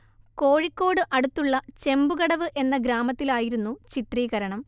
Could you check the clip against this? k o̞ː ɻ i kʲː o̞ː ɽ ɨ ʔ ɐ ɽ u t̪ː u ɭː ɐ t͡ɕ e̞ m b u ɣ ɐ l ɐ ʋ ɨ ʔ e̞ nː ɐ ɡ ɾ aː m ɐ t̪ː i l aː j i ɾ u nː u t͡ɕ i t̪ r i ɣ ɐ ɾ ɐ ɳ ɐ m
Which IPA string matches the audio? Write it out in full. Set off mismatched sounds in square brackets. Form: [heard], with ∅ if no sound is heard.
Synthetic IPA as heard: k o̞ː ɻ i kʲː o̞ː ɽ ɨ ʔ ɐ ɽ u t̪ː u ɭː ɐ t͡ɕ e̞ m b u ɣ ɐ [ɽ] ɐ ʋ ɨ ʔ e̞ nː ɐ ɡ ɾ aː m ɐ t̪ː i l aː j i ɾ u nː u t͡ɕ i t̪ r [iː] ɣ ɐ ɾ ɐ ɳ ɐ m